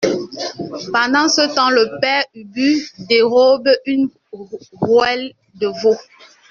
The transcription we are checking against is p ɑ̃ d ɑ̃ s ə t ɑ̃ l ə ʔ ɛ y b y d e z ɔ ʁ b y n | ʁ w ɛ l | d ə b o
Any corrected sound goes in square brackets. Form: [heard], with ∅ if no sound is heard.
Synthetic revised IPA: p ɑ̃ d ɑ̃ s ə t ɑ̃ l ə [p] ɛ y b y d e [ʁ] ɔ [∅] b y n | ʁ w ɛ l | d ə [v] o